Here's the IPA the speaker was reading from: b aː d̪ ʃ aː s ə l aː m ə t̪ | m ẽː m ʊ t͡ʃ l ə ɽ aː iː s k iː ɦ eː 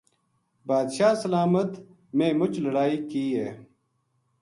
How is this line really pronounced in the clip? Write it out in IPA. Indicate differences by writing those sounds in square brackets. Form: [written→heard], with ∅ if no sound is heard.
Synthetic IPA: b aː d̪ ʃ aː s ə l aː m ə t̪ | m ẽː m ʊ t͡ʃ l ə ɽ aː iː [s→∅] k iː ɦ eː